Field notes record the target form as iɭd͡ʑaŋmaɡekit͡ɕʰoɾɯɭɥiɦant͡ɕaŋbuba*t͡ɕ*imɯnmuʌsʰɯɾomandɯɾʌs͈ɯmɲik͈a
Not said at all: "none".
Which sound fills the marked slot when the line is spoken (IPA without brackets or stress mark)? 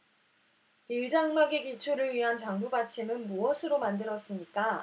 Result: t͡ɕʰ